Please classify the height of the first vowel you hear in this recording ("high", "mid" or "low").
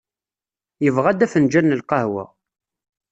mid